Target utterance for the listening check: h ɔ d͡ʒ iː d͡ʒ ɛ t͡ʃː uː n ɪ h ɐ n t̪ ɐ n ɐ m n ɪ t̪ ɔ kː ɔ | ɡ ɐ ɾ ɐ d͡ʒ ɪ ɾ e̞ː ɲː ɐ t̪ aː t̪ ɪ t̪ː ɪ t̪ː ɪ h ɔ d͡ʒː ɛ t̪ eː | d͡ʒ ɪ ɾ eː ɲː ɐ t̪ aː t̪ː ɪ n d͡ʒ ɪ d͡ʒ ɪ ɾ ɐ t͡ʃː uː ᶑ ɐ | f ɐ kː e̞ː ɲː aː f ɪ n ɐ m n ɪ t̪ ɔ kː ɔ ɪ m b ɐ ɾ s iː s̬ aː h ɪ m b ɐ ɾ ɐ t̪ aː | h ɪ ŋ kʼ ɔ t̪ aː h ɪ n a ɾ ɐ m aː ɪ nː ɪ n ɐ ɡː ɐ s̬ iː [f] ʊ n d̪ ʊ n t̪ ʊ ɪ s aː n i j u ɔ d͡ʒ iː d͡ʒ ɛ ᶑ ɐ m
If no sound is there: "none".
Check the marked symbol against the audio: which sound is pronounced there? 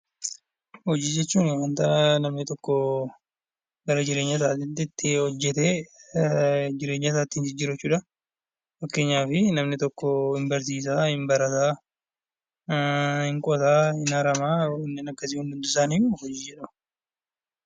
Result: h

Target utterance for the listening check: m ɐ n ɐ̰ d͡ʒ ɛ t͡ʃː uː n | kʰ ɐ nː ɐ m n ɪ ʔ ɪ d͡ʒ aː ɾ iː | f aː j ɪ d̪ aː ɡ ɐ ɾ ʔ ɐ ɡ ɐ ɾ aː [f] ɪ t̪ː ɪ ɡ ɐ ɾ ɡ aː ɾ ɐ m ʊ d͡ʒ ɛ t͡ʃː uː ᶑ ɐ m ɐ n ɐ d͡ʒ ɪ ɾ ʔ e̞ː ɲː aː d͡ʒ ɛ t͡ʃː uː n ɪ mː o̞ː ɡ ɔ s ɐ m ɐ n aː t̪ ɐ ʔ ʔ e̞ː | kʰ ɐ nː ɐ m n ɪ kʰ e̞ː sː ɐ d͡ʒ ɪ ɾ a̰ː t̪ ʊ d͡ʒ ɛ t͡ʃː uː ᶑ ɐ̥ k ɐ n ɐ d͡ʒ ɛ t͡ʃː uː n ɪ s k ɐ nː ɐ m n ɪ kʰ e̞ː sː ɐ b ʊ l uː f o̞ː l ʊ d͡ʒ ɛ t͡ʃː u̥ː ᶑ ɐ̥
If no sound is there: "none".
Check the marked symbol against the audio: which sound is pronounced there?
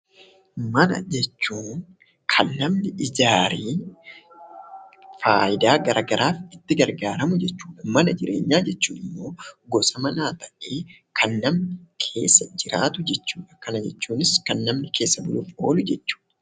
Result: f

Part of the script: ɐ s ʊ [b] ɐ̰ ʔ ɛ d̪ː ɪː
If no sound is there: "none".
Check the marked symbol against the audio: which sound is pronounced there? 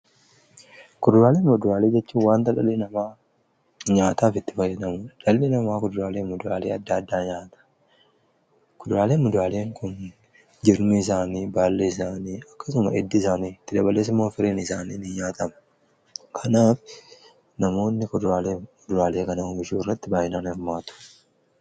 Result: m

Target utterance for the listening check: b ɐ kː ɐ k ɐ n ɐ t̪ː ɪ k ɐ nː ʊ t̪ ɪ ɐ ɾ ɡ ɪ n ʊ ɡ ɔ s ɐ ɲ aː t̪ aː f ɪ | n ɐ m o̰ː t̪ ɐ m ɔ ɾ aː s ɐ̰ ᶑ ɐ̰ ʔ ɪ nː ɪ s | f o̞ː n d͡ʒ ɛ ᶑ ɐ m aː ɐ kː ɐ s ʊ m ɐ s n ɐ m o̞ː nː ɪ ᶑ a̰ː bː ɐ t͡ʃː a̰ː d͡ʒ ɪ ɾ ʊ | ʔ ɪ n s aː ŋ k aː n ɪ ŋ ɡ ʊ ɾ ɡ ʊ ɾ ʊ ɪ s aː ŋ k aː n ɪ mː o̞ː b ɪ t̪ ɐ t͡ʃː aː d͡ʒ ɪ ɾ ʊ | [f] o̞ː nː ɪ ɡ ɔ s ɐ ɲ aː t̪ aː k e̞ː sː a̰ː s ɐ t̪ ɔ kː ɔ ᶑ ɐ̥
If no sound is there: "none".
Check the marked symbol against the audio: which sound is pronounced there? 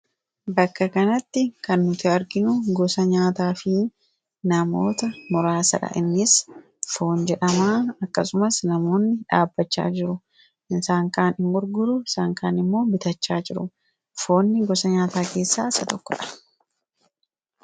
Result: f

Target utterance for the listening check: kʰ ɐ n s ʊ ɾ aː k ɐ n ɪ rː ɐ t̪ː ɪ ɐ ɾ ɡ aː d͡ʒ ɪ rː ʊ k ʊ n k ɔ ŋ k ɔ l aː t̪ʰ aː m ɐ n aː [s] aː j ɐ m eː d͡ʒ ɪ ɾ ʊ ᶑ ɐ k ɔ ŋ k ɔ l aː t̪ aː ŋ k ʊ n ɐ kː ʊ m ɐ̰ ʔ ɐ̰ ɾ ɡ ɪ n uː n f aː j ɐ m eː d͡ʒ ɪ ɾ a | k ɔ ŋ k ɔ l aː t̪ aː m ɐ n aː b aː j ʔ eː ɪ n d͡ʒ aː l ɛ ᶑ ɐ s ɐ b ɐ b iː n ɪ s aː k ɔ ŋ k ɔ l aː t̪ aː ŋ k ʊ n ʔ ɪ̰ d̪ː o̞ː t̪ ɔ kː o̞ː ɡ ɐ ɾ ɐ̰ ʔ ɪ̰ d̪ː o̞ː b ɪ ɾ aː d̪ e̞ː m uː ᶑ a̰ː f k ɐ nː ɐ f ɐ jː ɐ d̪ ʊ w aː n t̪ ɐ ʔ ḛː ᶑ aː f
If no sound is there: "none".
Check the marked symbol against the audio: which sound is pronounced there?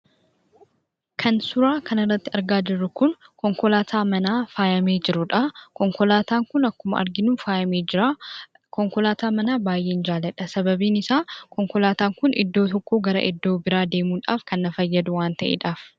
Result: f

